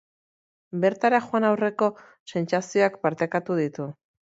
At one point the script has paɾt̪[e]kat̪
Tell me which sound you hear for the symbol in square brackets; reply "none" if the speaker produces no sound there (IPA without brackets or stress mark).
e